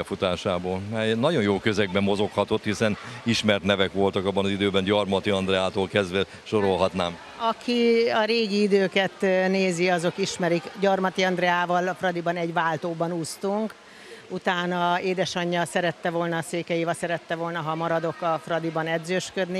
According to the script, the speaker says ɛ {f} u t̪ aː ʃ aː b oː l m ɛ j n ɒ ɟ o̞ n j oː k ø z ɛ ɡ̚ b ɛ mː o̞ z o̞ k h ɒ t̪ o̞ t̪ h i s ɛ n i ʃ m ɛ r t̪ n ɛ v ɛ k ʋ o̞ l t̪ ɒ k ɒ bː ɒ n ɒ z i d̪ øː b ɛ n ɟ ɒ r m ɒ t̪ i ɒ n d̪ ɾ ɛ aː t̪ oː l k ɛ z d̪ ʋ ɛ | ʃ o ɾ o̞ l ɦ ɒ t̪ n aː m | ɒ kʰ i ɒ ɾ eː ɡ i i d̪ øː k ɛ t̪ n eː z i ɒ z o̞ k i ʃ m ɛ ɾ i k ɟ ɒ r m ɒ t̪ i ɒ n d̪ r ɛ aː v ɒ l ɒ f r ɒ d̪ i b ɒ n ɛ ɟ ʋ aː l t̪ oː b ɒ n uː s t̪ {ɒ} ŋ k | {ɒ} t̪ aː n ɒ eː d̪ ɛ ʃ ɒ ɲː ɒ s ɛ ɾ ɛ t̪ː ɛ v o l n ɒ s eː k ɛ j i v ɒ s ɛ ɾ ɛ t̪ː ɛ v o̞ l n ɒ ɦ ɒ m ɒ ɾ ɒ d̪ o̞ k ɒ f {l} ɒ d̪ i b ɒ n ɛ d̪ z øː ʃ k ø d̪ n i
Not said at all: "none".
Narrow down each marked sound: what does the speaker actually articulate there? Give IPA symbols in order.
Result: f, u, u, r

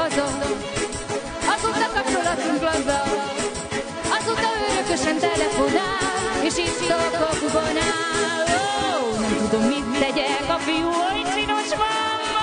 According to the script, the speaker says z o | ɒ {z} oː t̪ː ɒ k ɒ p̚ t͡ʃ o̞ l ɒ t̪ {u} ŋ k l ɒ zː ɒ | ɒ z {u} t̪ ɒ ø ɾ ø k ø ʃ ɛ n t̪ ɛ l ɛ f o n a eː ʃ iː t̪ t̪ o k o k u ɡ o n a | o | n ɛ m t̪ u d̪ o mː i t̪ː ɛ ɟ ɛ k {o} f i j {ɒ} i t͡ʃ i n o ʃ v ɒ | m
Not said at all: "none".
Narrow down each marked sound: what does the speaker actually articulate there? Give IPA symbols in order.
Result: z, u, o, ɒ, u

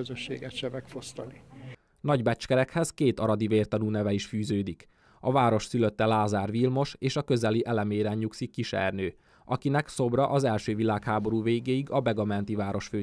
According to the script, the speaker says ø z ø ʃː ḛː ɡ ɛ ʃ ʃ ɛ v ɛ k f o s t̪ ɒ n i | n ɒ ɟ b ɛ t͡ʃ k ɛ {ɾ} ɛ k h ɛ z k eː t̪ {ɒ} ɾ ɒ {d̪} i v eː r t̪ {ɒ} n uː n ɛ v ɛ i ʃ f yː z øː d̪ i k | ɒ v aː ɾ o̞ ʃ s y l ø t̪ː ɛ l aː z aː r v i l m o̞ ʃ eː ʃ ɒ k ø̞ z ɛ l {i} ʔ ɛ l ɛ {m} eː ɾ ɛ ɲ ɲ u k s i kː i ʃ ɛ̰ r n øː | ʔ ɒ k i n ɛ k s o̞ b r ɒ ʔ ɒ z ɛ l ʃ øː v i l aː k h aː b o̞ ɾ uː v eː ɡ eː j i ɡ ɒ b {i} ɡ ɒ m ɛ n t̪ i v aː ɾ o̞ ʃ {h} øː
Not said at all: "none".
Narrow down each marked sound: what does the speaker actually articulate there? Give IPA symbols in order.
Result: ɾ, ɒ, d̪, ɒ, i, m, ɛ, f

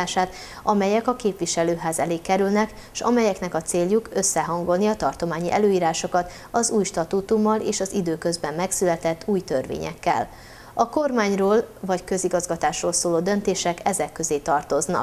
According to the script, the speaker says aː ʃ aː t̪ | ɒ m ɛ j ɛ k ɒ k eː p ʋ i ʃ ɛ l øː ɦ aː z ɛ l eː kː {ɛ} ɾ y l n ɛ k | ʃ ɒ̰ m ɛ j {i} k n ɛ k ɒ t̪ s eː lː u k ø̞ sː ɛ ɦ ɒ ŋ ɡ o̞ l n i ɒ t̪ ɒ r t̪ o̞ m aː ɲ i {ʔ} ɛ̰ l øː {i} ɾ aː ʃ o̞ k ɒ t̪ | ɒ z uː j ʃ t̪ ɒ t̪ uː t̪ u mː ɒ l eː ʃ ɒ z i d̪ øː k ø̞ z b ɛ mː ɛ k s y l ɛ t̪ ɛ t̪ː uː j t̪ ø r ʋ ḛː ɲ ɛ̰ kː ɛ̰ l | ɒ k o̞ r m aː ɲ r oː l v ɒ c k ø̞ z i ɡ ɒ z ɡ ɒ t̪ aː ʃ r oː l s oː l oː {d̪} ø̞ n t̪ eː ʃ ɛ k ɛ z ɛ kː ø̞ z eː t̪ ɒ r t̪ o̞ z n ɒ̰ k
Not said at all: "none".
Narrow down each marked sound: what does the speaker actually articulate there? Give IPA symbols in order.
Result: ɛ, ɛ, ʔ, iː, d̪

